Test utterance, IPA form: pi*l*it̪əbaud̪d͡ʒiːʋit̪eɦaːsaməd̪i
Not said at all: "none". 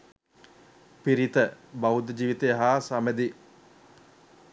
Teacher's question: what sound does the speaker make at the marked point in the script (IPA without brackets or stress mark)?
ɾ